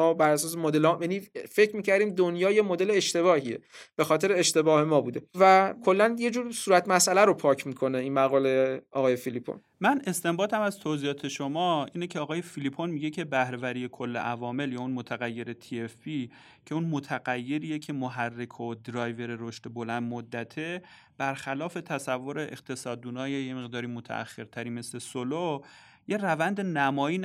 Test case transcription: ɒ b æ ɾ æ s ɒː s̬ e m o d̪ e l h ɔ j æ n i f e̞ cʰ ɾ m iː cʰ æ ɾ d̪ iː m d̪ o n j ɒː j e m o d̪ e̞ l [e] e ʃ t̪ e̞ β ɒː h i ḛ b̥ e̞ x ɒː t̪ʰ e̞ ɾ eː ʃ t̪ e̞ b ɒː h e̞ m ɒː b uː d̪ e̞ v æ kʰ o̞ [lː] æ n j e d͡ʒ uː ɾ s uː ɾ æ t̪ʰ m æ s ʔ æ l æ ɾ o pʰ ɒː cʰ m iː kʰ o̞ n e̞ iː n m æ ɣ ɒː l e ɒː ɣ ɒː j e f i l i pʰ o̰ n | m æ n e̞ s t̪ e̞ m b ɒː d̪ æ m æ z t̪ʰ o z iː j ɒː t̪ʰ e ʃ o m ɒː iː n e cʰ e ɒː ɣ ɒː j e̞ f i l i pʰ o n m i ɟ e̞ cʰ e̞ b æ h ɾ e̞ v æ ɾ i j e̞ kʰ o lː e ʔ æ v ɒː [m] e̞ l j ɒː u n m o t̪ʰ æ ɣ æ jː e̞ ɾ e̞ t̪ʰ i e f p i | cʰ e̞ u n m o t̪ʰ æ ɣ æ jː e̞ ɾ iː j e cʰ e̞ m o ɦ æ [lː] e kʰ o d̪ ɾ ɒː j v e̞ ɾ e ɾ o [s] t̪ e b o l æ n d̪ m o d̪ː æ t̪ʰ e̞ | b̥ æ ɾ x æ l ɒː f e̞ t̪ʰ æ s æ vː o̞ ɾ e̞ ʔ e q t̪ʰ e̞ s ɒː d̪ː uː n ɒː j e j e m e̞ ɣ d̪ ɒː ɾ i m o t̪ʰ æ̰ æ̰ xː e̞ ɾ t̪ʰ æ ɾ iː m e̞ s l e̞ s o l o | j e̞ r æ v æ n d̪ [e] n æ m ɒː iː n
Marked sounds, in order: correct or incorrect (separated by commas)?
correct, correct, correct, incorrect, incorrect, correct